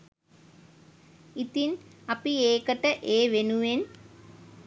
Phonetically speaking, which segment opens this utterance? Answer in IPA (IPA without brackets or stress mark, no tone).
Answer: i